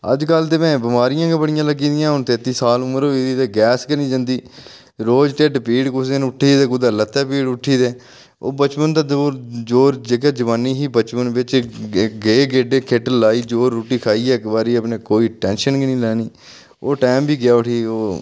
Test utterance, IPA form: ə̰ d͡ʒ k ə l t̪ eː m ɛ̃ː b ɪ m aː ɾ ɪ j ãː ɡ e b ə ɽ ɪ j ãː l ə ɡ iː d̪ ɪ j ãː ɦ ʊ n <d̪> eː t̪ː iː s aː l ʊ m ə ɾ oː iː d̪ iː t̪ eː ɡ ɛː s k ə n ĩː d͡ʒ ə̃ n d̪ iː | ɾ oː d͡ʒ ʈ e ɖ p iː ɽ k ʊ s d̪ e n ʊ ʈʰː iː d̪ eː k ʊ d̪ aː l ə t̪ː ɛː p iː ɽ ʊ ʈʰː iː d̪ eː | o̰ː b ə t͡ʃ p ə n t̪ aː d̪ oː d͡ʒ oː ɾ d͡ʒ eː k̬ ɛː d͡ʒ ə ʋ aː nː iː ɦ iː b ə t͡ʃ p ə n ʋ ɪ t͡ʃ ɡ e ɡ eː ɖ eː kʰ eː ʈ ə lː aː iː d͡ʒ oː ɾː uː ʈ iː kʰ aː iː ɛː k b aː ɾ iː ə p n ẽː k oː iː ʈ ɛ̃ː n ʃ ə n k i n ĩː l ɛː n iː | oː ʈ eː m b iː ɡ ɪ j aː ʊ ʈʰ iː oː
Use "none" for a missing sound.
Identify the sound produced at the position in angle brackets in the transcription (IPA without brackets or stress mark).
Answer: t̪